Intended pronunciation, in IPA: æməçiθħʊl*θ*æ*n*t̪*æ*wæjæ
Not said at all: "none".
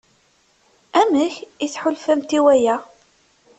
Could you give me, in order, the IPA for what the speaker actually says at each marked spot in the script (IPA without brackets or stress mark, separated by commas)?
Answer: f, m, i